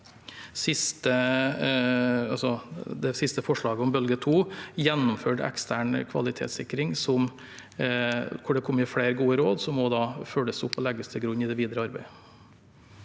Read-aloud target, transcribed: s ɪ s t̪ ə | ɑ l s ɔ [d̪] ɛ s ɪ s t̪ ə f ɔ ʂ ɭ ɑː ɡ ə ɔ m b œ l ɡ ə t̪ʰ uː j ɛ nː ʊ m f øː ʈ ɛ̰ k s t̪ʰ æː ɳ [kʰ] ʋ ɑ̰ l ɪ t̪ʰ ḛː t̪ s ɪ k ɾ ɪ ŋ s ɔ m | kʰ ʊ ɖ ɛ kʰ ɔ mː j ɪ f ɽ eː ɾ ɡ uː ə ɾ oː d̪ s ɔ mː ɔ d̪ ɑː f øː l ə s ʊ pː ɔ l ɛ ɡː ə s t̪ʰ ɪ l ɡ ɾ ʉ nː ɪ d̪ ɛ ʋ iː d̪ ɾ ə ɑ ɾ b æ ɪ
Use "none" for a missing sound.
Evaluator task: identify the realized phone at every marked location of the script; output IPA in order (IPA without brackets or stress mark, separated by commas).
d̪, kʰ